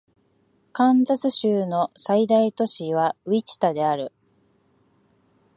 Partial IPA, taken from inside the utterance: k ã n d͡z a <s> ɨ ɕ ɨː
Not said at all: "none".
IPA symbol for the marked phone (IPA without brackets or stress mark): t͡s